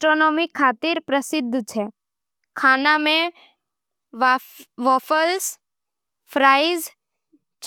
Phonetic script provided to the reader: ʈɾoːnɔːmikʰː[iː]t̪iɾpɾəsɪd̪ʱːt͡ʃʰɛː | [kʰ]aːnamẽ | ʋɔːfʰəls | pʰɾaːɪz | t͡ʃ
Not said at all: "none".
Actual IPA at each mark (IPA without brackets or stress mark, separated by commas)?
aː, kʰ